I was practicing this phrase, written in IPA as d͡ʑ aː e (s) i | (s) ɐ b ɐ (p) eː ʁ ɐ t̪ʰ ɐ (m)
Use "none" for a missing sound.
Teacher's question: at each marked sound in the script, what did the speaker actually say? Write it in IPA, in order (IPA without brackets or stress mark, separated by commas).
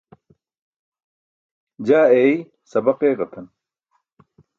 none, s, q, n